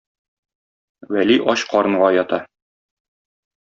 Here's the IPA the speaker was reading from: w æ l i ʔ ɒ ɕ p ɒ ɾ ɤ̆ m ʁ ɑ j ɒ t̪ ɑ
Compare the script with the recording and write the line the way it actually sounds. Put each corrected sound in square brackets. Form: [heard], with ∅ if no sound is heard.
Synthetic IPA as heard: w æ l i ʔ ɒ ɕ [q] ɒ ɾ ɤ̆ [ɴ] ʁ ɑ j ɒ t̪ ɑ